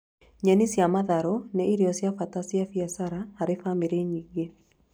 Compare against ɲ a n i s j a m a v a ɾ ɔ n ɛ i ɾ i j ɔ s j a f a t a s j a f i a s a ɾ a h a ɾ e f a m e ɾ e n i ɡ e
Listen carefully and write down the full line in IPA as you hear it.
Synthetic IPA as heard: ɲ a n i s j a m a ð a ɾ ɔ n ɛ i ɾ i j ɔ s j a f a t a s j a f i a s a ɾ a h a ɾ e f a m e ɾ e ɲ i ɡ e